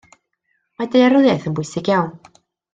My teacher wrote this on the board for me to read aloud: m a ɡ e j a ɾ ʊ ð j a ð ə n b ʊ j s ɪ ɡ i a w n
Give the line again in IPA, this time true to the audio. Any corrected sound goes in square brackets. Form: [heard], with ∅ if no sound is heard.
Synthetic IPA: m a [d] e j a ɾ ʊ ð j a [θ] ə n b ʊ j s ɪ ɡ [j] a w n